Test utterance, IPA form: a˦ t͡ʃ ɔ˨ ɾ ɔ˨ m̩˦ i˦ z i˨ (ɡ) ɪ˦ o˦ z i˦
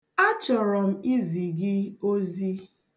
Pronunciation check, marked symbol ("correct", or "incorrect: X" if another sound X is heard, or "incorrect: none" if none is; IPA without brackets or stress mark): correct